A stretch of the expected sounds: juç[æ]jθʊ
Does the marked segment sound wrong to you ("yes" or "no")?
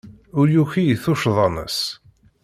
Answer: yes